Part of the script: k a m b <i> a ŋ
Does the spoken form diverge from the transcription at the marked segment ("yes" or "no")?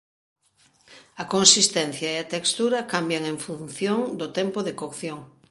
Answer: yes